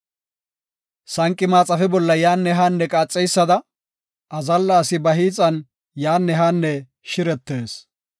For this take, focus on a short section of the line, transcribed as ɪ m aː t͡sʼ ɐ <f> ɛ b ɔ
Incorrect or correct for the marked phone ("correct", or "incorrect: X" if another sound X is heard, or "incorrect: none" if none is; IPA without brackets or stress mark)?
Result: correct